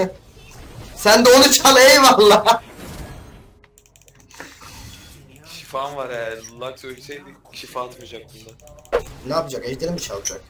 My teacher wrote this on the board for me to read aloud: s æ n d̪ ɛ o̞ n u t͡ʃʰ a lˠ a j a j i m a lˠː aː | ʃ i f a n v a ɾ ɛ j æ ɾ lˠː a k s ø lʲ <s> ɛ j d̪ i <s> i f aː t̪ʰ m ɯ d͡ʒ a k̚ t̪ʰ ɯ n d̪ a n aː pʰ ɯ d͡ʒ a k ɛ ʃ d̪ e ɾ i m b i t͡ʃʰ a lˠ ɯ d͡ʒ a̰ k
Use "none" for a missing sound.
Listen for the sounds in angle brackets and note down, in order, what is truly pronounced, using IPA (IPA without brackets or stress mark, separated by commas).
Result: s, ʃ